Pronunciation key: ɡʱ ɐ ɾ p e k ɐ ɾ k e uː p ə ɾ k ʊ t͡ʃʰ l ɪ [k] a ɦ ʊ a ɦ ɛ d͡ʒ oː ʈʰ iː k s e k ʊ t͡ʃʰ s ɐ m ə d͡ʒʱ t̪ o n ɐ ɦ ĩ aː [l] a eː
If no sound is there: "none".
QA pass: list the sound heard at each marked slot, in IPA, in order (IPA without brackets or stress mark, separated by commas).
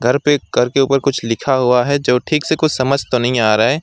kʰ, ɾ